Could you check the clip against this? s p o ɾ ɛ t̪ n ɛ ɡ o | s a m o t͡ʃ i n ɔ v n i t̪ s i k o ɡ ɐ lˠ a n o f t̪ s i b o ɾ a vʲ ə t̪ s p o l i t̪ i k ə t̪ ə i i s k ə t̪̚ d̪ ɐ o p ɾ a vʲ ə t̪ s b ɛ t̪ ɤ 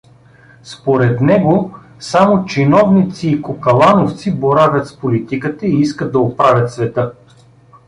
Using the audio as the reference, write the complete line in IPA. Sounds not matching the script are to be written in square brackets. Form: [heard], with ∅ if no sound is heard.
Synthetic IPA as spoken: s p o ɾ ɛ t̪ n ɛ ɡ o | s a m o t͡ʃ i n ɔ v n i t̪ s [iː] k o [k] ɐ lˠ a n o f t̪ s i b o ɾ a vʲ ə t̪ s p o l i t̪ i k ə t̪ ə i i s k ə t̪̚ d̪ ɐ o p ɾ a vʲ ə t̪ s [v] ɛ t̪ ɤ